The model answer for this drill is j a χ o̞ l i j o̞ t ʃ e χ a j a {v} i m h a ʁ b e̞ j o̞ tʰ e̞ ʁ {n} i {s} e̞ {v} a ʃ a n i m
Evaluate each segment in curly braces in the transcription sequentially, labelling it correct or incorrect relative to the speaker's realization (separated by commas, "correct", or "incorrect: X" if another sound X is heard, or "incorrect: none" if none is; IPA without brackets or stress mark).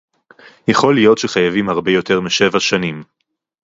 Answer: correct, incorrect: m, incorrect: ʃ, correct